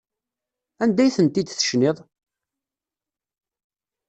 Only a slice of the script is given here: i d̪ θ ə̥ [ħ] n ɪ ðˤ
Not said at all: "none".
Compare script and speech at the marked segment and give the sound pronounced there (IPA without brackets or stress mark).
ʃ